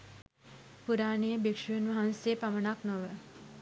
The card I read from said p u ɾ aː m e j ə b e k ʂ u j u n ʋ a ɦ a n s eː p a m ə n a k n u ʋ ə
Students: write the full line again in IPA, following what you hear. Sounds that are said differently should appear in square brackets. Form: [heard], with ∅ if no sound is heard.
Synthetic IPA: p u ɾ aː [n] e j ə b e k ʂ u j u n ʋ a ɦ a n s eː p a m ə n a k n [o] ʋ ə